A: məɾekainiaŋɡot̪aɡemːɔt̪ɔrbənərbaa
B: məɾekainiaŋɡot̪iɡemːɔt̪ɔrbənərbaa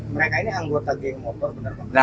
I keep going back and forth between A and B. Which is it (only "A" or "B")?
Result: A